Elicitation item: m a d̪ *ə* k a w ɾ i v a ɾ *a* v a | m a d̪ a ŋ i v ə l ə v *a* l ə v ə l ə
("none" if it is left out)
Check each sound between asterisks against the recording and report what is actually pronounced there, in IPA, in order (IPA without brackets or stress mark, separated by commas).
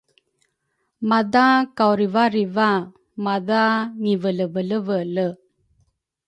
a, i, ə